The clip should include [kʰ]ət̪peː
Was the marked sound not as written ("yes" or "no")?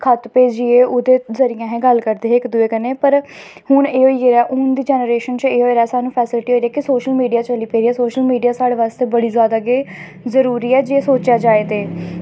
no